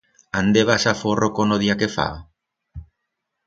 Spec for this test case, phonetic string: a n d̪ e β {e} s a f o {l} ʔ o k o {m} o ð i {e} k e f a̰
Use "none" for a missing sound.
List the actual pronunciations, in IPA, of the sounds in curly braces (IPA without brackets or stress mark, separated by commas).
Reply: a, r, n, a